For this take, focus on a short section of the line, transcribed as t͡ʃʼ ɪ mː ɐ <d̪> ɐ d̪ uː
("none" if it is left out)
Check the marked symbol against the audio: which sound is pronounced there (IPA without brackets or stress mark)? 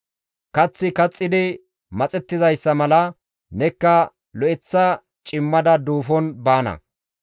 d̪